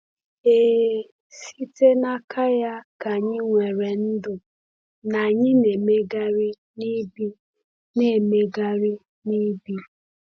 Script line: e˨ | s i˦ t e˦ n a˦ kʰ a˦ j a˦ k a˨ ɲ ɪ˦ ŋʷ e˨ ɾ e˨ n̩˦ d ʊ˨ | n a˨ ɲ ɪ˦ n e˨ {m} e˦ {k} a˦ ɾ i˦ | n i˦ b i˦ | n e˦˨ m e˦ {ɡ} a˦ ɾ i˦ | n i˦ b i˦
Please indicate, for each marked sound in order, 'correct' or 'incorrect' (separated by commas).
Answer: correct, incorrect, correct